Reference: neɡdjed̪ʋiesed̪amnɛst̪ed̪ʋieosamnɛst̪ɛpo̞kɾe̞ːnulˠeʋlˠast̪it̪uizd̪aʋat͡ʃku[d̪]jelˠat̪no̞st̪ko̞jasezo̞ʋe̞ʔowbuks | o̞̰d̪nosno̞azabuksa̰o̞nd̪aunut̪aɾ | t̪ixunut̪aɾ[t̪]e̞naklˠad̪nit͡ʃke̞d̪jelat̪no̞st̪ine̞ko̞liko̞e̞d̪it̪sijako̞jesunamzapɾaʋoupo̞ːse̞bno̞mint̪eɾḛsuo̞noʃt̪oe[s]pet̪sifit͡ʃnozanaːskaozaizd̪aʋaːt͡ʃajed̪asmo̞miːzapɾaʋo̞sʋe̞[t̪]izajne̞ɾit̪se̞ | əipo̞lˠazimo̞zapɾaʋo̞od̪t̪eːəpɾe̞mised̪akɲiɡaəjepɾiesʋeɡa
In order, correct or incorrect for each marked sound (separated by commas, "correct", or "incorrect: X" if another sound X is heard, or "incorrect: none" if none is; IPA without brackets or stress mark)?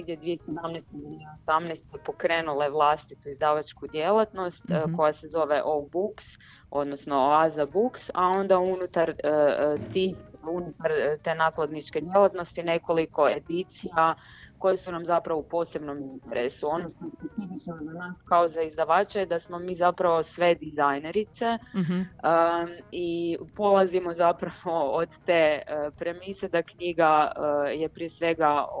correct, correct, correct, incorrect: d̪